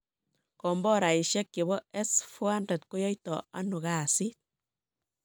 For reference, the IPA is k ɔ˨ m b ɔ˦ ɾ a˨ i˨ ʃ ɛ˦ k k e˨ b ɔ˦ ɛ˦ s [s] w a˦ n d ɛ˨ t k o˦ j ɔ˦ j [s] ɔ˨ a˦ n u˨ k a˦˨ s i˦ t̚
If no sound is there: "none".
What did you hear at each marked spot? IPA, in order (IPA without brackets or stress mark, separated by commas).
f, t